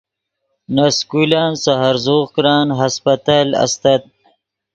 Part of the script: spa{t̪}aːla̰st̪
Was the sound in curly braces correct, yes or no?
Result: yes